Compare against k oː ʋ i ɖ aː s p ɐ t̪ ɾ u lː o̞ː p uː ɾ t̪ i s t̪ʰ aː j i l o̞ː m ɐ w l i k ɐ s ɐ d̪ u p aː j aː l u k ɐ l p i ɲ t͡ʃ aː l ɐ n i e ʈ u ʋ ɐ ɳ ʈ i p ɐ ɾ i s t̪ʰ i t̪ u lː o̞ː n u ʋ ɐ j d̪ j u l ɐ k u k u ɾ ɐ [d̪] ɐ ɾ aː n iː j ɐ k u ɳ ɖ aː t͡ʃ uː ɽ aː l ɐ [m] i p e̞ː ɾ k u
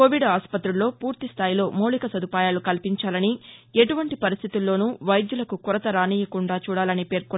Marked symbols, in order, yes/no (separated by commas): no, no